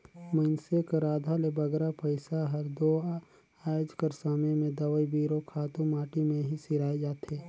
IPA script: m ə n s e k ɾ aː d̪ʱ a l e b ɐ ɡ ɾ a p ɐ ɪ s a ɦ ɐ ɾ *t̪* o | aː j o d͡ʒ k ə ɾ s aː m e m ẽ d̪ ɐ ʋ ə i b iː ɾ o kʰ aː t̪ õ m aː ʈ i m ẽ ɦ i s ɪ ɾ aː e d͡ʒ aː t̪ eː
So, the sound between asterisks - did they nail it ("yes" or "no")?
no